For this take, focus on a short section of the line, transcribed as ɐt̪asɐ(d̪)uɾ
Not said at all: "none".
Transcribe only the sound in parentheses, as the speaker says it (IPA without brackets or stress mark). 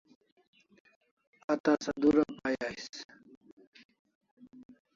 d̪